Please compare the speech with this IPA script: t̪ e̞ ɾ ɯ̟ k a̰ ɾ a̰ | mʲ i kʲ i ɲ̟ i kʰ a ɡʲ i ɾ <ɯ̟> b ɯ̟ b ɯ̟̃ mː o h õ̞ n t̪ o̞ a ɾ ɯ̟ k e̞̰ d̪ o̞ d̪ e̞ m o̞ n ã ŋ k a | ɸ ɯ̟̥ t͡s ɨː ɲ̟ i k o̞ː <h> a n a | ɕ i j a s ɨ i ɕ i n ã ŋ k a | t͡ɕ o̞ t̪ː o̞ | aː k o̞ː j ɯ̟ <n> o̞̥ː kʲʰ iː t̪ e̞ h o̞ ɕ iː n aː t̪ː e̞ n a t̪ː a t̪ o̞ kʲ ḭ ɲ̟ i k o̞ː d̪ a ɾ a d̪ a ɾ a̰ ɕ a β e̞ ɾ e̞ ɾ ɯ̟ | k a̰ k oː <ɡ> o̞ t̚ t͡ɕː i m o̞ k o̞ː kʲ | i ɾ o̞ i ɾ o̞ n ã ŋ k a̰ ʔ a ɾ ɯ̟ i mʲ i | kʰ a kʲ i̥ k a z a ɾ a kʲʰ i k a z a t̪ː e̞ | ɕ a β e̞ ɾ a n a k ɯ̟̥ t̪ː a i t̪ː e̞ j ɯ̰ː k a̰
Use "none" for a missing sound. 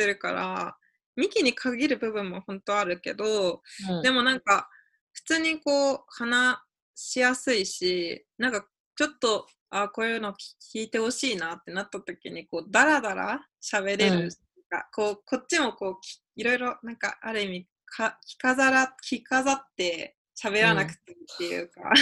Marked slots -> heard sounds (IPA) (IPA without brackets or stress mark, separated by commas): ɯ̟, h, n, k